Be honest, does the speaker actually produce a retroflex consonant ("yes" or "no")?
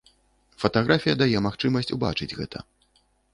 yes